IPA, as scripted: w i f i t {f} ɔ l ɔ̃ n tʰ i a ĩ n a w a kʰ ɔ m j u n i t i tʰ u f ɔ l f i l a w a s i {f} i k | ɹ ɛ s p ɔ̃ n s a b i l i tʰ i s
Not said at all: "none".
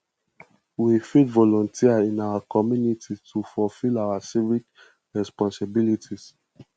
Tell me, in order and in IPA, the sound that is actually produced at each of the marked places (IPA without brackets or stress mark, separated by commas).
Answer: v, v